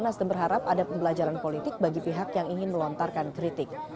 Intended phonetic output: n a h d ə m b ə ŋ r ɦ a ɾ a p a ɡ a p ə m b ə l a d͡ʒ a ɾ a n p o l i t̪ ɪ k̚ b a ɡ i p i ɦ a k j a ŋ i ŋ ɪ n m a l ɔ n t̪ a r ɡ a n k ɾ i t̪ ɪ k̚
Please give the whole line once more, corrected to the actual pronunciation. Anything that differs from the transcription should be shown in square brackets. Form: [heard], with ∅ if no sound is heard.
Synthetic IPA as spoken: n a [s] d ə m b ə [∅] r ɦ a ɾ a p a [d] a p ə m b ə l a d͡ʒ a ɾ a n p o l i t̪ ɪ k̚ b a ɡ i p i ɦ a k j a ŋ i ŋ ɪ n m [ə] l ɔ n t̪ a r [k] a n k ɾ i t̪ ɪ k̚